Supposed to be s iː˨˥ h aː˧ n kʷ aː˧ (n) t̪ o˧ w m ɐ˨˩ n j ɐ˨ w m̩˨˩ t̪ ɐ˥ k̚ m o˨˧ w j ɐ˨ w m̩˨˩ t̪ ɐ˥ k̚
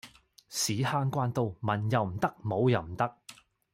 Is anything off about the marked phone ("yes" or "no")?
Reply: no